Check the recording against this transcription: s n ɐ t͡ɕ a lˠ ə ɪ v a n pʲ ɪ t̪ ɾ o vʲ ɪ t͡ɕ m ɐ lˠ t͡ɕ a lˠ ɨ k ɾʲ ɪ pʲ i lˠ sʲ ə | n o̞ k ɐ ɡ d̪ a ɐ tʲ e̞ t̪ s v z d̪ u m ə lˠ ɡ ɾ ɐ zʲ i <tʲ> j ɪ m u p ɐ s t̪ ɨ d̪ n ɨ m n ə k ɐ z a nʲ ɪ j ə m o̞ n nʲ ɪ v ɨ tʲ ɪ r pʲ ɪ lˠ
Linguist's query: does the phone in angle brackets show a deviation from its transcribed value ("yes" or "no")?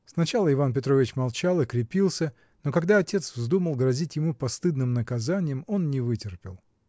no